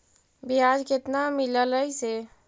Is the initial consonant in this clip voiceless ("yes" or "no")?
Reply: no